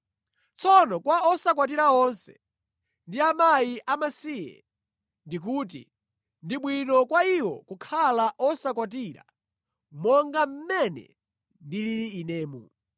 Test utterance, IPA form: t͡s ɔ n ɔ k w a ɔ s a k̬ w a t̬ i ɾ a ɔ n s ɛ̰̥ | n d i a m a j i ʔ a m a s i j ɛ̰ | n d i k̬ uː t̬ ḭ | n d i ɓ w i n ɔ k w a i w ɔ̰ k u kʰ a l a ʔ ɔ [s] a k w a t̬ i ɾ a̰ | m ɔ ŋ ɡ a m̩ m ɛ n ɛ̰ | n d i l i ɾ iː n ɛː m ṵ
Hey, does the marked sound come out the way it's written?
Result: yes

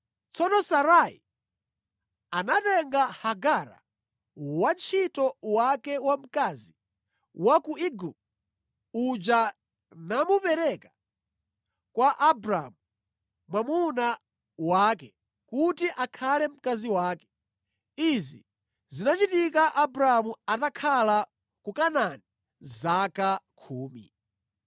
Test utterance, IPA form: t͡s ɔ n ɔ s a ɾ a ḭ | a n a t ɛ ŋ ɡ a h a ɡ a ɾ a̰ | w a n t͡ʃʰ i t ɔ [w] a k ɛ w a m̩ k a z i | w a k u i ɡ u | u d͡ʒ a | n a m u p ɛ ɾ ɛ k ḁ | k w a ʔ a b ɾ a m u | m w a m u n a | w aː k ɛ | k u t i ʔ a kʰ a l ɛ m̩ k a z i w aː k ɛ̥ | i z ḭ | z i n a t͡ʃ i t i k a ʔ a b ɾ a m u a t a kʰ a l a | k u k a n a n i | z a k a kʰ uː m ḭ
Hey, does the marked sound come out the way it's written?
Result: yes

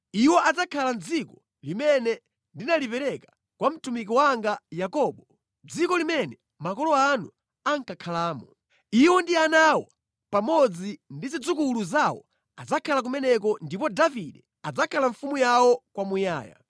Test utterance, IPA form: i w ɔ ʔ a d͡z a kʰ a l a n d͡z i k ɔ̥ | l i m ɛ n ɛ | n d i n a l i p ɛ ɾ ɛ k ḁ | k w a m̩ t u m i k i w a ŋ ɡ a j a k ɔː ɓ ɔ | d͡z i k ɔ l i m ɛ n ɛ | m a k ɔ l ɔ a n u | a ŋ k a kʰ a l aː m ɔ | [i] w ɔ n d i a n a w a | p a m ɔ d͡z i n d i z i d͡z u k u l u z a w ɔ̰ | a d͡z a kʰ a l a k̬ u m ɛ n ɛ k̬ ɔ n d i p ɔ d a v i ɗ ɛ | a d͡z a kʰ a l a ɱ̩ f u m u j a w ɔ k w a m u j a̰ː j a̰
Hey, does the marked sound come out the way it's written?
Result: yes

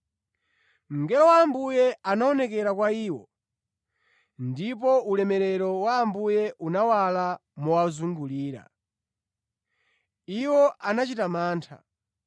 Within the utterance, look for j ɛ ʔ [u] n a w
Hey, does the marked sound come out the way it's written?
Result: yes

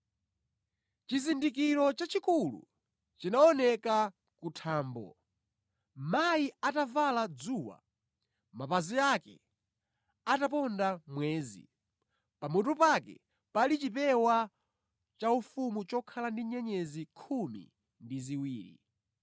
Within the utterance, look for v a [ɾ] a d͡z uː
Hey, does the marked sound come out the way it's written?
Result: no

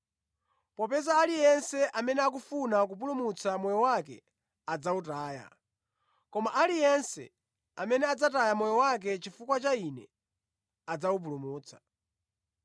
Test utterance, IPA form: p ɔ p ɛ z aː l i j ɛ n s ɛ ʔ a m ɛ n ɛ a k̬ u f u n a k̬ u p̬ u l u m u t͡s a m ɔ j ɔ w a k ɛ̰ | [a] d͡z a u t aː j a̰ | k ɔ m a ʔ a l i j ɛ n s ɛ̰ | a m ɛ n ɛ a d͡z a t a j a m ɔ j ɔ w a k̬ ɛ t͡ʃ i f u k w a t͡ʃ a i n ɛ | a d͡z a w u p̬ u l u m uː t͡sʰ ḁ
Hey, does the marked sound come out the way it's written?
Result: yes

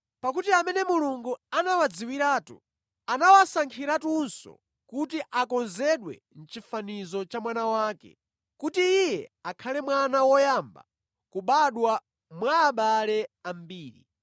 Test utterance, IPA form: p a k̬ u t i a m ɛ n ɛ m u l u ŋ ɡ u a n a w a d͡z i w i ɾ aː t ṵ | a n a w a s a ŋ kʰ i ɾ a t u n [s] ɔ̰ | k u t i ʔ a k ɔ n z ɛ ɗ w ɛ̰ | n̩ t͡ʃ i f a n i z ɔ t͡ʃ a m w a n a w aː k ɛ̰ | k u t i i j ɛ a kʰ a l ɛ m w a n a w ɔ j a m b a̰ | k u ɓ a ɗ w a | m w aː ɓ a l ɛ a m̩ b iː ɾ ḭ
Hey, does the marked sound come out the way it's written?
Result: yes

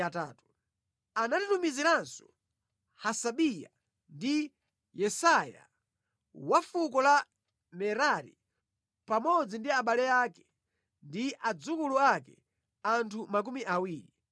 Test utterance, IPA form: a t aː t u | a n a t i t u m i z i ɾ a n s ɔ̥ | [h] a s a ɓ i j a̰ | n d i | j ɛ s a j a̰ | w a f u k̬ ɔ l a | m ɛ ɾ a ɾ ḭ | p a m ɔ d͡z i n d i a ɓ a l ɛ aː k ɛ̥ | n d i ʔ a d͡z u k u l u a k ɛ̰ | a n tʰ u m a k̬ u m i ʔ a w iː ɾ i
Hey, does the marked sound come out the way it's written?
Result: yes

